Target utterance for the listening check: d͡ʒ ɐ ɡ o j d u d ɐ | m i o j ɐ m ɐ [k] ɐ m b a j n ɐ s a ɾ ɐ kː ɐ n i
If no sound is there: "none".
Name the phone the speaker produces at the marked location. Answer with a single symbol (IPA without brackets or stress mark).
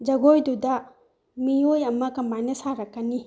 k